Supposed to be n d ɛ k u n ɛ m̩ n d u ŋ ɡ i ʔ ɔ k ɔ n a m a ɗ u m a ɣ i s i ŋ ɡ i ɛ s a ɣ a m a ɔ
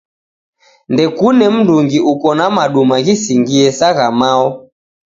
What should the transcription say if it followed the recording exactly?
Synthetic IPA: n d ɛ k u n ɛ m̩ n d u ŋ ɡ i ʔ u k ɔ n a m a ɗ u m a ɣ i s i ŋ ɡ i ɛ s a ɣ a m a ɔ